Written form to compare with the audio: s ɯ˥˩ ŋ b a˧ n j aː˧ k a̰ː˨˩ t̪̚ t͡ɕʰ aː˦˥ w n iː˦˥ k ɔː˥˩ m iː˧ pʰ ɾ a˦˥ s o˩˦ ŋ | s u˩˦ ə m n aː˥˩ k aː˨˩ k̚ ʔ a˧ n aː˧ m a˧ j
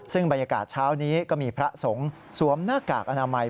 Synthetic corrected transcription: s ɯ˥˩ ŋ b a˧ n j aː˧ k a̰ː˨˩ t̪̚ t͡ɕʰ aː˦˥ w n iː˦˥ k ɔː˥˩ m iː˧ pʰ ɾ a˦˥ s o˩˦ ŋ | s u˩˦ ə m n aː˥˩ k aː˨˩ k̚ ʔ a˧ n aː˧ m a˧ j